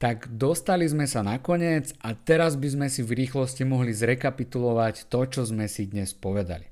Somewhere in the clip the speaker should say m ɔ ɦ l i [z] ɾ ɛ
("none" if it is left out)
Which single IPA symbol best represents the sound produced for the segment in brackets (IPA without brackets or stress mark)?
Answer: z